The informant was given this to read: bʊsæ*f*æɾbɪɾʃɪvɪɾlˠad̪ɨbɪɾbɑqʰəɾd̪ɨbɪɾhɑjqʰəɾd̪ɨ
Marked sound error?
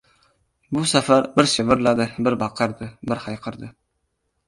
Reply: no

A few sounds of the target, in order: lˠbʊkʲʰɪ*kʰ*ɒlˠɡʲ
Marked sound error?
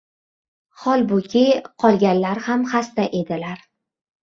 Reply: yes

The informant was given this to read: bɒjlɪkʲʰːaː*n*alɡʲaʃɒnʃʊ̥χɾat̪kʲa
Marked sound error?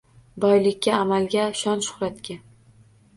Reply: yes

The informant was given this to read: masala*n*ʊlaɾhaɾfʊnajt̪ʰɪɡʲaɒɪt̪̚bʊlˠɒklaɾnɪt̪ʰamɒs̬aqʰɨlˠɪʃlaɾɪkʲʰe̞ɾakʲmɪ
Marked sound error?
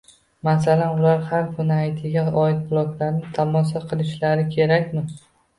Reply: no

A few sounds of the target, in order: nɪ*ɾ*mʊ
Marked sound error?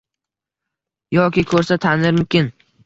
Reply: no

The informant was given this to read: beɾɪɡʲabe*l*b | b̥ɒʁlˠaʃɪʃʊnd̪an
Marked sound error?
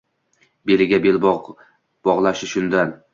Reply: no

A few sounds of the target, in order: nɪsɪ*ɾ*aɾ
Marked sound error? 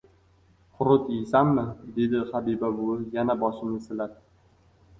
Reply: yes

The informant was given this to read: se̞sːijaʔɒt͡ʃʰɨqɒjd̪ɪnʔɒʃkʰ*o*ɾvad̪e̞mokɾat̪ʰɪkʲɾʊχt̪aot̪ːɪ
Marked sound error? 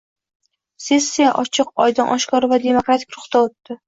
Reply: yes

